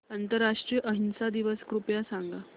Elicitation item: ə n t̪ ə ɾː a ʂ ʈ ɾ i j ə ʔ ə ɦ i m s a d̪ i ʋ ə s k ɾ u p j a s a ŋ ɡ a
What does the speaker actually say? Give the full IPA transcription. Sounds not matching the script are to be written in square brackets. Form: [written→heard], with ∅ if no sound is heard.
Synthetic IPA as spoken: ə n t̪ ə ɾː a ʂ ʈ ɾ i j ə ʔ ə ɦ i [m→n] s a d̪ i ʋ ə s k ɾ u p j a s a ŋ ɡ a